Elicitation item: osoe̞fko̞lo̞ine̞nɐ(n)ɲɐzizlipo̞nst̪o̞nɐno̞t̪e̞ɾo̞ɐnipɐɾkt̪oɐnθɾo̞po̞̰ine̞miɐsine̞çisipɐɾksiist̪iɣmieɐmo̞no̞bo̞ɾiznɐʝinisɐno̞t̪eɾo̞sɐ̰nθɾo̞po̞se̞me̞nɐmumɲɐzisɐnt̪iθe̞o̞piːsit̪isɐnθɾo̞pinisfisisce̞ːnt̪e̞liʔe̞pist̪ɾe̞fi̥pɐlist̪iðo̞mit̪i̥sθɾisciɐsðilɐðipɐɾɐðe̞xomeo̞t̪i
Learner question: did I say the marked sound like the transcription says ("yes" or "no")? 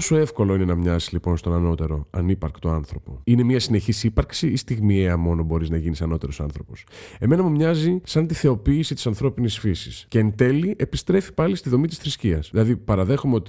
no